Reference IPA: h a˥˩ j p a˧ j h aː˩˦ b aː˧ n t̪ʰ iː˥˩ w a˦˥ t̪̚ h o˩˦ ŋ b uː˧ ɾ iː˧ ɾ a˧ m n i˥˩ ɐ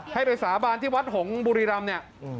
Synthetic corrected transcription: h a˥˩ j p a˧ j s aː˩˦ b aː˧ n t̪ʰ iː˥˩ w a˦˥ t̪̚ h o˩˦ ŋ b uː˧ ɾ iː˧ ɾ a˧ m n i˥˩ ɐ

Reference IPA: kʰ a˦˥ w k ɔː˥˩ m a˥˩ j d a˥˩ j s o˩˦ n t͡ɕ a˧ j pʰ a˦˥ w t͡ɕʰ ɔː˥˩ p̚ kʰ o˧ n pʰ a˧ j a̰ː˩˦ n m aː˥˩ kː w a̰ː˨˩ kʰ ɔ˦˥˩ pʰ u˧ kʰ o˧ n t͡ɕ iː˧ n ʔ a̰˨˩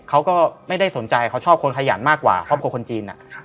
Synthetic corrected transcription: kʰ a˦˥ w k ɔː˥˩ m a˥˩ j d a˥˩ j s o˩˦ n t͡ɕ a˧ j kʰ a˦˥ w t͡ɕʰ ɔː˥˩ p̚ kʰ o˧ n kʰ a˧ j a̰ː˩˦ n m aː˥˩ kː w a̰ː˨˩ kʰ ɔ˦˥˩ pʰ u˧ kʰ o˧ n t͡ɕ iː˧ n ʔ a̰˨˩

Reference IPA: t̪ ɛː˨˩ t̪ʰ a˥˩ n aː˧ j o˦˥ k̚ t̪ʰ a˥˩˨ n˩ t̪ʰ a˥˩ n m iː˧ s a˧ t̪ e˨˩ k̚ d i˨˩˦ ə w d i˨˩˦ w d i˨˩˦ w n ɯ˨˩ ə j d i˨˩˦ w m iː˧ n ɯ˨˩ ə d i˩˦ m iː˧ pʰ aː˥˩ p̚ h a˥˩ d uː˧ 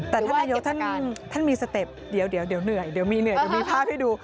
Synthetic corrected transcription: t̪ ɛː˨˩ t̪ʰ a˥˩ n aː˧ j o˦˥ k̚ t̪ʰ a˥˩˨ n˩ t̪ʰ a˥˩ n m iː˧ s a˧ t̪ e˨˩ p̚ d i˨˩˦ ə w d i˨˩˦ w d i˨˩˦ w n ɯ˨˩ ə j d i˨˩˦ w m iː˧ n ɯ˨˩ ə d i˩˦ m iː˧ pʰ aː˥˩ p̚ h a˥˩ d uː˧

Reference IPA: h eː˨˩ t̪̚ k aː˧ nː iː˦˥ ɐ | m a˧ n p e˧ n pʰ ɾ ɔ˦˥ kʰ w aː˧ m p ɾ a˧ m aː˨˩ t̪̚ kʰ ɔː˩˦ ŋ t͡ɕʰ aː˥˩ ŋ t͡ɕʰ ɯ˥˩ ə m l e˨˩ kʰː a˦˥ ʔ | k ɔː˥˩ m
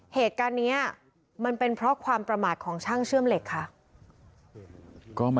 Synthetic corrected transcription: h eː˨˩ t̪̚ k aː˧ nː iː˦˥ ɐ | m a˧ n p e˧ n pʰ ɾ ɔ˦˥ kʰ w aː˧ m p ɾ a˧ m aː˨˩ t̪̚ kʰ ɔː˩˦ ŋ t͡ɕʰ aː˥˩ ŋ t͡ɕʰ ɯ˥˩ ə m l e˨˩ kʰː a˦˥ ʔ | k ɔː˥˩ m

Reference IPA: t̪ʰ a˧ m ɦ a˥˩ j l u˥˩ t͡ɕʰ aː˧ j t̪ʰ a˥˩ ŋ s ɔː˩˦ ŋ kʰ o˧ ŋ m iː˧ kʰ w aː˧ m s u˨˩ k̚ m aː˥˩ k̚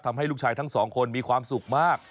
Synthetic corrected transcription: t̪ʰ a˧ m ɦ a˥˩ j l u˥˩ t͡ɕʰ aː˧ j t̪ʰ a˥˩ ŋ s ɔː˩˦ ŋ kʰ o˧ n m iː˧ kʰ w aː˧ m s u˨˩ k̚ m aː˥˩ k̚

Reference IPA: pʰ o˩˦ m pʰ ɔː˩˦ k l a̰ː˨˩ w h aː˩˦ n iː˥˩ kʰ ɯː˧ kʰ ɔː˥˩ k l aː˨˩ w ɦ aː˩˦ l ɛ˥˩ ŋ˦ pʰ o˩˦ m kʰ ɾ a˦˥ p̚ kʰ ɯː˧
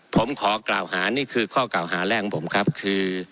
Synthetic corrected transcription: pʰ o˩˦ m kʰ ɔː˩˦ k l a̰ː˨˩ w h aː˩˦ n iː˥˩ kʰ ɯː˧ kʰ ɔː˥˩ k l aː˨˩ w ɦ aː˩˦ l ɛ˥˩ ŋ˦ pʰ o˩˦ m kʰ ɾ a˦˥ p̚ kʰ ɯː˧

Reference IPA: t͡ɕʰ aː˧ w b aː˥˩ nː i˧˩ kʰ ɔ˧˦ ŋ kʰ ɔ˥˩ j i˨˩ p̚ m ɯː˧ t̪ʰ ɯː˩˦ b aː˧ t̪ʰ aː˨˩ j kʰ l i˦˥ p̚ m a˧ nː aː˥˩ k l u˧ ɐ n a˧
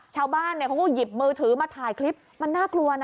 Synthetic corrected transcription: t͡ɕʰ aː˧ w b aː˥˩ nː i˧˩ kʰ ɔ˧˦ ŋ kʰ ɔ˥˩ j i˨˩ p̚ m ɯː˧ t̪ʰ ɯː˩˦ m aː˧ t̪ʰ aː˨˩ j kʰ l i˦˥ p̚ m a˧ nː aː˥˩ k l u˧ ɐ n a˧

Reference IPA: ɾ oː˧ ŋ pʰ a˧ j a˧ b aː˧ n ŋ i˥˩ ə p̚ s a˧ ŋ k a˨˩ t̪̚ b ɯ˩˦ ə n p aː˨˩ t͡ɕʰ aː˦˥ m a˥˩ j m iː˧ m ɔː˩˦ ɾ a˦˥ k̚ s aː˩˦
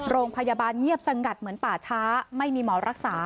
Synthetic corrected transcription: ɾ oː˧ ŋ pʰ a˧ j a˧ b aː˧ n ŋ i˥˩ ə p̚ s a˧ ŋ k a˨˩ t̪̚ m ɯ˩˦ ə n p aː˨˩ t͡ɕʰ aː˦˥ m a˥˩ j m iː˧ m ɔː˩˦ ɾ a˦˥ k̚ s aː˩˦

